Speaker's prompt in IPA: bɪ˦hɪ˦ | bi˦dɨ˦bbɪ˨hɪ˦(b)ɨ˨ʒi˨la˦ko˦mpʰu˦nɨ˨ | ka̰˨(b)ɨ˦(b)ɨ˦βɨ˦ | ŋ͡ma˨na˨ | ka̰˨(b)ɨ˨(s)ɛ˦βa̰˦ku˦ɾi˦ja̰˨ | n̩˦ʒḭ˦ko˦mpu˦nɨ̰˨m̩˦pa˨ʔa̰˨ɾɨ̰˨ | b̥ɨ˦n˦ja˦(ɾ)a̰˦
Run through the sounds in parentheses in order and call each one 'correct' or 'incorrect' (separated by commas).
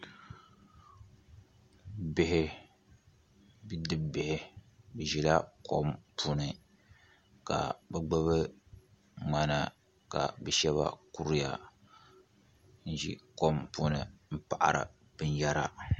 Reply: correct, correct, incorrect, correct, incorrect, correct